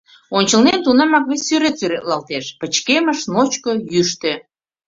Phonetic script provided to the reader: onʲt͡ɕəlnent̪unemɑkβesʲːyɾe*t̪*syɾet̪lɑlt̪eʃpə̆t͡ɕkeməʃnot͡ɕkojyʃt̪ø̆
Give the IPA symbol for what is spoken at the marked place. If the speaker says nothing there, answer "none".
t̪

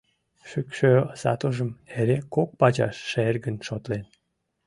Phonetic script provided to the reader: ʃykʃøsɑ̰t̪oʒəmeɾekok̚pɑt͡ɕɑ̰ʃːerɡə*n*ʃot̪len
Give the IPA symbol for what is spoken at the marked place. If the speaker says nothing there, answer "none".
n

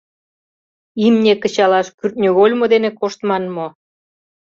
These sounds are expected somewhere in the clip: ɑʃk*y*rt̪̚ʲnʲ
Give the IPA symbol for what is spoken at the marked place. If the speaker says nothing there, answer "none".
y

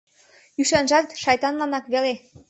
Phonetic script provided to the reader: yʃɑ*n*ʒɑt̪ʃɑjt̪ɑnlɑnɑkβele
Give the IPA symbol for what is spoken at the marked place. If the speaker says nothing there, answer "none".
n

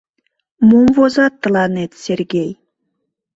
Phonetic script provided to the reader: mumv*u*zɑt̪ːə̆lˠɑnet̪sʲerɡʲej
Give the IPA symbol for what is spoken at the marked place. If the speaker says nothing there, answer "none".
o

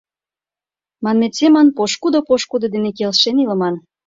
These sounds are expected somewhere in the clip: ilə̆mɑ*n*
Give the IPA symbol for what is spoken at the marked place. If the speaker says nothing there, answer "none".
n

